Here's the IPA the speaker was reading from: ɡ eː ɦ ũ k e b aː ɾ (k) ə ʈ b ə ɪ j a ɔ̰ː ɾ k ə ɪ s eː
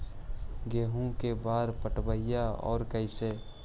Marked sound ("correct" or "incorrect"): incorrect